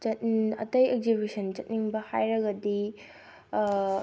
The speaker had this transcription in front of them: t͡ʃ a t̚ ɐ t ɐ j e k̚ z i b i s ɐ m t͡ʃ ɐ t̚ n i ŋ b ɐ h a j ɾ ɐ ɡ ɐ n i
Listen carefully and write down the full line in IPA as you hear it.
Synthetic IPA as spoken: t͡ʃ ɐ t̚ ɐ t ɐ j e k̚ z i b i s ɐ n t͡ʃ ɐ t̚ n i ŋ b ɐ h a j ɾ ɐ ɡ ɐ d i